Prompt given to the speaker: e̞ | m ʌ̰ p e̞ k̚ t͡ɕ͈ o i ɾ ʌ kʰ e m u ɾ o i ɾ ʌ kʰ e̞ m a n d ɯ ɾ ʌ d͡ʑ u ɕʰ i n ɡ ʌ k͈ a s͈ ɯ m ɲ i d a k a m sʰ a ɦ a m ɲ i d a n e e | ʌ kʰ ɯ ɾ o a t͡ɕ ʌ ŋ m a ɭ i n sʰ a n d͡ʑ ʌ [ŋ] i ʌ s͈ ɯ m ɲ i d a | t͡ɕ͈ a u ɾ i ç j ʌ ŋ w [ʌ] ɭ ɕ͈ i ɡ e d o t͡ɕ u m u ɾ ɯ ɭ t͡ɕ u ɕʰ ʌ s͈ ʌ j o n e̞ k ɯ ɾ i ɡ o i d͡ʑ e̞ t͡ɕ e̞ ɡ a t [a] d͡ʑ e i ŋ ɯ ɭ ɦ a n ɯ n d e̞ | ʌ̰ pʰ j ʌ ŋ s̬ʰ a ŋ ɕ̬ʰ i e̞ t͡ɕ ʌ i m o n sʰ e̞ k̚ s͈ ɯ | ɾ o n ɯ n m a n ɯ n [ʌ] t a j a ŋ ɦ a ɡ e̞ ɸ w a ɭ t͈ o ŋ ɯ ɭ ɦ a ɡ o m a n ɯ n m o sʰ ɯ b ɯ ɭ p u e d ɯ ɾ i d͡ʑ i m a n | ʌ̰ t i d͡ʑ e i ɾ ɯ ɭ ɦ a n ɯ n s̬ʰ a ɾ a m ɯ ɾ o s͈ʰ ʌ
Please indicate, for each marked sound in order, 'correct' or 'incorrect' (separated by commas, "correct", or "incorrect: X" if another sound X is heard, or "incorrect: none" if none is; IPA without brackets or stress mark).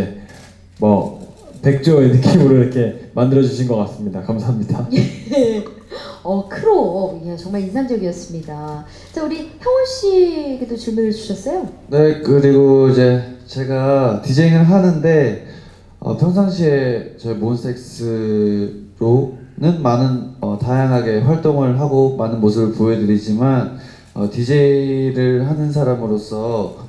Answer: incorrect: ɡ, correct, incorrect: i, correct